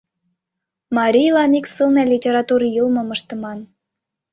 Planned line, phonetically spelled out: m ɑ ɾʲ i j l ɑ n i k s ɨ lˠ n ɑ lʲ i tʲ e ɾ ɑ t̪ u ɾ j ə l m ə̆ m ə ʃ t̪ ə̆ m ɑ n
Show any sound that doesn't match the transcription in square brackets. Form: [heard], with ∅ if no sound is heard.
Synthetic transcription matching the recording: m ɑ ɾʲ i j l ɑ n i k s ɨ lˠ n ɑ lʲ i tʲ e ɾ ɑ t̪ u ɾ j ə l m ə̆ m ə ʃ t̪ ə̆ m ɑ n